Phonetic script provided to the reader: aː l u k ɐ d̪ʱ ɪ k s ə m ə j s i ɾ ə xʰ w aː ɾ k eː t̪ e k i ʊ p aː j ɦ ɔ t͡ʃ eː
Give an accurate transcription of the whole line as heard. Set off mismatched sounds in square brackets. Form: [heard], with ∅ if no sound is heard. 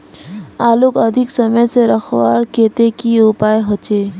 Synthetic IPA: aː l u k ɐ d̪ʱ ɪ k s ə m ə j s [e] ɾ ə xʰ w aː ɾ k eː t̪ e k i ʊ p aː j ɦ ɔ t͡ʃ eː